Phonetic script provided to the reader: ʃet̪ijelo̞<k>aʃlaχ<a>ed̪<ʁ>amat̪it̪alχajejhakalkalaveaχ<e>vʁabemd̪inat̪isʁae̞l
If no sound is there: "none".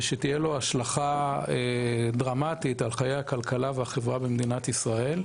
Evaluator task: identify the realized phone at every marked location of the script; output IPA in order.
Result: none, a, ʁ, e

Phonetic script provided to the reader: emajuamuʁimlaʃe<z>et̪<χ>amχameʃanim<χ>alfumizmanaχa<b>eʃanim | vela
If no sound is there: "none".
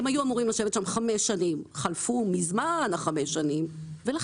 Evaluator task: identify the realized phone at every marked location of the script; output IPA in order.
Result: v, ʃ, χ, m

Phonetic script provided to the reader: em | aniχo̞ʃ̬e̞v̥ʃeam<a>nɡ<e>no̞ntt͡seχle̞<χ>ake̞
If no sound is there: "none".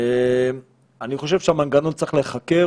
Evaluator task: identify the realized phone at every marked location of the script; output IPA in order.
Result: a, a, χ

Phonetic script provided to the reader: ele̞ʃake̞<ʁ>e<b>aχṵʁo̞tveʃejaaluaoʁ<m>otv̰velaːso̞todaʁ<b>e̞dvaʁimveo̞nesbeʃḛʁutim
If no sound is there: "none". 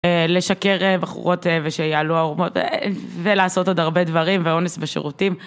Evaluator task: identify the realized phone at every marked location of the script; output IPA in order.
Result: ʁ, b, m, b

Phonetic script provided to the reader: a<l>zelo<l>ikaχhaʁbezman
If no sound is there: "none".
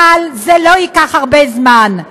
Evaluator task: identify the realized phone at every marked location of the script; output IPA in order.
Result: l, none

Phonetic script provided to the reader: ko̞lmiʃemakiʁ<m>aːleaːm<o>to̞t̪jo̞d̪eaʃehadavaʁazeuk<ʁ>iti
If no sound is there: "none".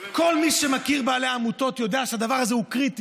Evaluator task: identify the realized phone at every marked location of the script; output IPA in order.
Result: b, u, ʁ

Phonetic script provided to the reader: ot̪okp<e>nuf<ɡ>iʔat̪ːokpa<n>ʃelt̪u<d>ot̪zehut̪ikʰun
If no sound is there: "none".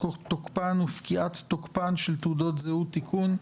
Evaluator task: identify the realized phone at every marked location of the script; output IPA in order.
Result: a, k, n, d

